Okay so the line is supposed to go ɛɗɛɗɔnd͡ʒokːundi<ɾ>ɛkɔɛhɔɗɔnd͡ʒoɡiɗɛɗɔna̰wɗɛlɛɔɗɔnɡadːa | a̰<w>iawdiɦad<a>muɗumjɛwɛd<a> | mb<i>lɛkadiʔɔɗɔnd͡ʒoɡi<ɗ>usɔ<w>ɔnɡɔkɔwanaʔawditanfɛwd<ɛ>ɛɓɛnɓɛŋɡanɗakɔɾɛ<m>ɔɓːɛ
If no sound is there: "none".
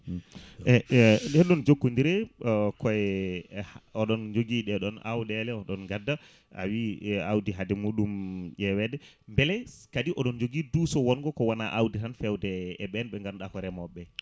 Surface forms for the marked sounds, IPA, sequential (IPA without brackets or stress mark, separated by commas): ɾ, w, ɛ, ɛ, ɛ, d, w, ɛ, m